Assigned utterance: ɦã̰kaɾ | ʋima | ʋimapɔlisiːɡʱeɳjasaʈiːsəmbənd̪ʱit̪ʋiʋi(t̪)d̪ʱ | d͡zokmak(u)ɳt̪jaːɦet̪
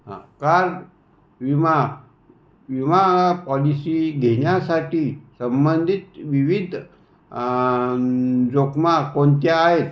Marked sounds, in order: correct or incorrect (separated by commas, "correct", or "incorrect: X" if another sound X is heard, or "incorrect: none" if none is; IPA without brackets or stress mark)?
incorrect: none, incorrect: o